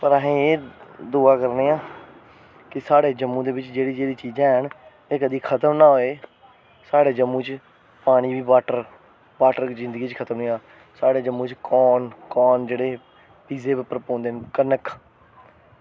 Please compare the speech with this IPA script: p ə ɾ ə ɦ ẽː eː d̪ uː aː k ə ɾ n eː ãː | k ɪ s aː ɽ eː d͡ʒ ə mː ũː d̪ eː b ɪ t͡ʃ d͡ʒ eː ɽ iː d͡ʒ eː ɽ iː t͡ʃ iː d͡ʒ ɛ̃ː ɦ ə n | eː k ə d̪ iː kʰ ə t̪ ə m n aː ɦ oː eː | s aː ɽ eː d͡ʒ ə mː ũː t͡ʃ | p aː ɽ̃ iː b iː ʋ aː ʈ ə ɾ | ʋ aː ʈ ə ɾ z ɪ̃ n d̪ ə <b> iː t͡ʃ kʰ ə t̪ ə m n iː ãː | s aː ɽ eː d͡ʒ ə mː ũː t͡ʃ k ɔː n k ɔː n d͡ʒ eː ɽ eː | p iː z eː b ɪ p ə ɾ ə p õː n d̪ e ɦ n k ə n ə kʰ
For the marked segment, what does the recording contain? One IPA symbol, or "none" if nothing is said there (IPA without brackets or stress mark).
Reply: ɡ